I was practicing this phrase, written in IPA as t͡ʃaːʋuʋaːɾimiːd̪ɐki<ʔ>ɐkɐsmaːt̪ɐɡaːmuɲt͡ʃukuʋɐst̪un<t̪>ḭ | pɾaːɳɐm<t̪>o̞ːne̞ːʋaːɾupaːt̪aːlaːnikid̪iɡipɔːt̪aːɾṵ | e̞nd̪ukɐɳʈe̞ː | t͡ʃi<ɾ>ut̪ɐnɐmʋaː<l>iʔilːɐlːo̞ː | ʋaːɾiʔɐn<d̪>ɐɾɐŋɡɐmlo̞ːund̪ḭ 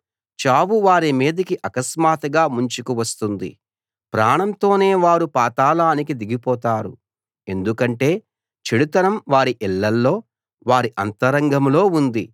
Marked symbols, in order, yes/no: yes, no, yes, no, no, no

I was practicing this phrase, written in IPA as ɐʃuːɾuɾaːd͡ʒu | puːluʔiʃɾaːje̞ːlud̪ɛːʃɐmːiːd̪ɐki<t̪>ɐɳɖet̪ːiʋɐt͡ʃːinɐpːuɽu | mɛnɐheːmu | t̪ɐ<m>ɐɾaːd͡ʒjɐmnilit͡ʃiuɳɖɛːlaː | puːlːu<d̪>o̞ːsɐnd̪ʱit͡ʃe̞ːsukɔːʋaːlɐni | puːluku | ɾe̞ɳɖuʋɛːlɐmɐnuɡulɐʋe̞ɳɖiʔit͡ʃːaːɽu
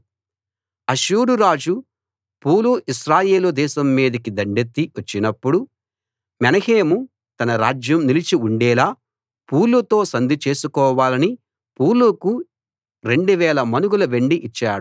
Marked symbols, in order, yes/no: no, no, no

